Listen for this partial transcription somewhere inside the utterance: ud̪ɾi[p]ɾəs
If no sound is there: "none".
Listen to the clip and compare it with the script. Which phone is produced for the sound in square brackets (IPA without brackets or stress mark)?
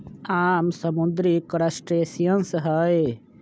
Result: k